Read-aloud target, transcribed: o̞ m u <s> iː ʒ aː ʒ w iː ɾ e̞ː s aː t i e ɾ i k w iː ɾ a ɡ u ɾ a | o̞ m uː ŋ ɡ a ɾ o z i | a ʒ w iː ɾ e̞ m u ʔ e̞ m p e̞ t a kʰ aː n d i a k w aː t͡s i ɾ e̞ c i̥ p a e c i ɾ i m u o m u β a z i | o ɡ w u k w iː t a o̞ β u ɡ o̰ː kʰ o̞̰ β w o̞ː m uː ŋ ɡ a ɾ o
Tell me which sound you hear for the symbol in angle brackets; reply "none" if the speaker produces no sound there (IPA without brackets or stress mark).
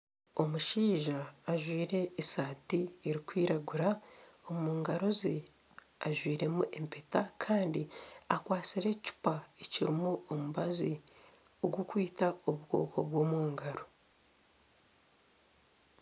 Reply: ʃ